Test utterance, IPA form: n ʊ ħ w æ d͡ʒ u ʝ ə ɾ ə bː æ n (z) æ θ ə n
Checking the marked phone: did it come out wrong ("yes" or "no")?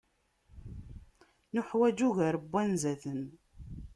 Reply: no